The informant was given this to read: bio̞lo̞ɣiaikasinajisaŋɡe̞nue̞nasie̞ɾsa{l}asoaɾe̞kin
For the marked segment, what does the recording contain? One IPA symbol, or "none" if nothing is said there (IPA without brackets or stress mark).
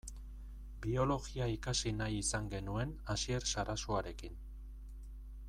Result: ɾ